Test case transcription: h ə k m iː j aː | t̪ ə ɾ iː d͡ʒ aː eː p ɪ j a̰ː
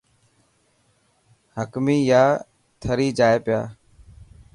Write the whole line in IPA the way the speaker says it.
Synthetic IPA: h ə k m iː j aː | t̪ʰ ə ɾ iː d͡ʒ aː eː p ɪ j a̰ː